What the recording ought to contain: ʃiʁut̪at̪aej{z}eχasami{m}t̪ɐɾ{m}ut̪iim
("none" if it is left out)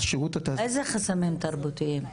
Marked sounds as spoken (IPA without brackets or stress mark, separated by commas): z, m, b